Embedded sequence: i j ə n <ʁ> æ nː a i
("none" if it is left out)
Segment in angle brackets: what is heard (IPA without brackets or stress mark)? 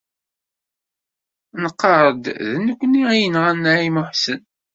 ʁ